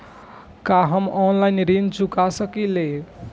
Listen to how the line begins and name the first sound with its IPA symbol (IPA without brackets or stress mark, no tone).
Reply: k